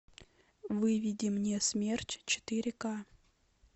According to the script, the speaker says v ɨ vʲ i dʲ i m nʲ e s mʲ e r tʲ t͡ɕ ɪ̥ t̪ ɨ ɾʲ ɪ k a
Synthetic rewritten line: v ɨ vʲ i dʲ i m nʲ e s mʲ e r tʲ t͡ɕ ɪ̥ t̪ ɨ ɾʲ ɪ k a

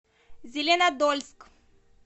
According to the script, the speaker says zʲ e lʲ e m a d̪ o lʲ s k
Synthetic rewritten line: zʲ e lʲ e n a d̪ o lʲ s k

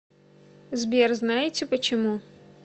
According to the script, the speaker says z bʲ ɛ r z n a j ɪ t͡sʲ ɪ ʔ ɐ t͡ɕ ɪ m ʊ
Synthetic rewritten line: z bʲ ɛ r z n a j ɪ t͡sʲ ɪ p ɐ t͡ɕ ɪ m u

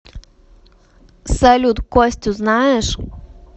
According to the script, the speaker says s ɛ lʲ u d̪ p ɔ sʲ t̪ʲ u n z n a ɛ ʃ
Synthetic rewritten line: s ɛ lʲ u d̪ k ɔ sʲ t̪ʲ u z n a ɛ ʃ

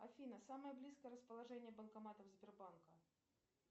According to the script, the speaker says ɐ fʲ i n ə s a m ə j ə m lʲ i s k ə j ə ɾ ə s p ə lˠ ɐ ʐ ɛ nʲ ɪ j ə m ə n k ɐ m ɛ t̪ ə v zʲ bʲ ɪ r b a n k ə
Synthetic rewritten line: ɐ fʲ i n ə s a m ə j ə b lʲ i s k ə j ə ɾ ə s p ə lˠ ɐ ʐ ɛ nʲ ɪ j ə b ə n k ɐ m a t̪ ə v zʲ bʲ ɪ r b a n k ə

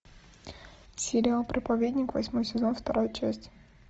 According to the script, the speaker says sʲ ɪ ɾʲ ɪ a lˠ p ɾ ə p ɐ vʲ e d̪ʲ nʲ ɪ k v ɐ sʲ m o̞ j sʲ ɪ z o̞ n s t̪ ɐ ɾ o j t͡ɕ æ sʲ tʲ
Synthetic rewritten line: sʲ ɪ ɾʲ ɪ a lˠ p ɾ ə p ɐ vʲ e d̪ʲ nʲ ɪ k v ɐ sʲ m o̞ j sʲ ɪ z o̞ n f t̪ ɐ ɾ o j t͡ɕ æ sʲ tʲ

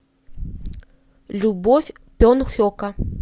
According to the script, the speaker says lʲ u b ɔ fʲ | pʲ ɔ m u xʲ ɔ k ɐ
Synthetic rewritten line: lʲ u b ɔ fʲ | pʲ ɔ n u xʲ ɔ k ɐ

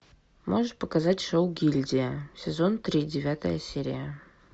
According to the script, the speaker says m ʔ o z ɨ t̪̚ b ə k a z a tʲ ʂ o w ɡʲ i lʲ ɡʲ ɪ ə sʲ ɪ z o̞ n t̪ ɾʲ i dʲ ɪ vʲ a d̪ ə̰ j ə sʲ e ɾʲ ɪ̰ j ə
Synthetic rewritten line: m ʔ o ʐ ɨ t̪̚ p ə k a z a tʲ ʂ o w ɡʲ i lʲ dʲ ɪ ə sʲ ɪ z o̞ n t̪ ɾʲ i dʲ ɪ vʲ a t̪ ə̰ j ə sʲ e ɾʲ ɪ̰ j ə

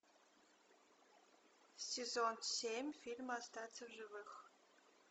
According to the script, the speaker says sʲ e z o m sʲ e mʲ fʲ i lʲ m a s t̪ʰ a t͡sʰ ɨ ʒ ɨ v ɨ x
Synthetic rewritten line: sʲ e z o n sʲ e mʲ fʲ i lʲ m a s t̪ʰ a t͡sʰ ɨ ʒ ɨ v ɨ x

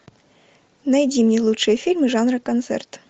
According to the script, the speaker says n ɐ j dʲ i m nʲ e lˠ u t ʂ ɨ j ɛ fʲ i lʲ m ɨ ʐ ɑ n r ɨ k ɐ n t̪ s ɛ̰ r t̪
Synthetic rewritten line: n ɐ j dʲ i m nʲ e lˠ u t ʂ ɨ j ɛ fʲ i lʲ m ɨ ʐ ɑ n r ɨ k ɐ n t̪ s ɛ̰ r t̪

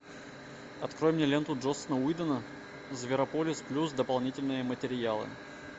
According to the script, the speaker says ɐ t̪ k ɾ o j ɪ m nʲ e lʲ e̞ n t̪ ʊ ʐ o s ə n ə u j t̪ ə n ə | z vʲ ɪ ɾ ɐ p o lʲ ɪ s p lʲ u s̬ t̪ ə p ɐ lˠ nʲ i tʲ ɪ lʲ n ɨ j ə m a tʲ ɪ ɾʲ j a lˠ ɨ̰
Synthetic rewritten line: ɐ t̪ k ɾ o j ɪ m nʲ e lʲ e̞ n t̪ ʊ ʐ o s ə n ə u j d̪ ə n ə | z vʲ ɪ ɾ ɐ p o lʲ ɪ s p lʲ u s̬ d̪ ə p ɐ lˠ nʲ i tʲ ɪ lʲ n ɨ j ə m ə tʲ ɪ ɾʲ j a lˠ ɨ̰

